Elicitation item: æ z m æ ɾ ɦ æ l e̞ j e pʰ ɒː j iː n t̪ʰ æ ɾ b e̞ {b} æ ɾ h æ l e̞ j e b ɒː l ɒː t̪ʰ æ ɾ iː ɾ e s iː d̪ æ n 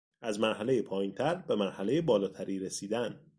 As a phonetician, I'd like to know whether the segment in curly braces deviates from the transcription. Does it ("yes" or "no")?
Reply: yes